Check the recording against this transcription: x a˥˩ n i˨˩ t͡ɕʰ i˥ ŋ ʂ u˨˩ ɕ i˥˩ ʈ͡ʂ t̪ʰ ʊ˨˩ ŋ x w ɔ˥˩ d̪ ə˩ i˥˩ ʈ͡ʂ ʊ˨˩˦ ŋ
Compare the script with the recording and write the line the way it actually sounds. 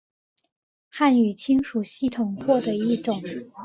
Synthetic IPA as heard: x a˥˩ n y˨˩ t͡ɕʰ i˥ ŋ ʂ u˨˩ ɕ i˥˩ t̪ʰ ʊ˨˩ ŋ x w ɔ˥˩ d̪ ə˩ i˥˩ ʈ͡ʂ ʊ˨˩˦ ŋ